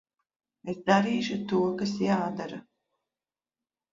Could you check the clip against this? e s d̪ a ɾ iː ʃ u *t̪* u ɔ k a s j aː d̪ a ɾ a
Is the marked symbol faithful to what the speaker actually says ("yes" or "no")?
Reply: yes